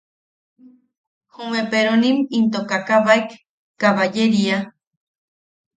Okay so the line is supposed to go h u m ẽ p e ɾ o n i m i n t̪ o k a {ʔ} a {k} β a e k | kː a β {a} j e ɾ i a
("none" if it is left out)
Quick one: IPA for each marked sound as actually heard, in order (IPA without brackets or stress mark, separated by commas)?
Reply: k, none, a